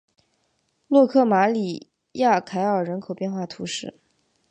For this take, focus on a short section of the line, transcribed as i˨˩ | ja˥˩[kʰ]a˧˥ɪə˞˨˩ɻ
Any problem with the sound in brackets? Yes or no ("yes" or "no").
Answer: no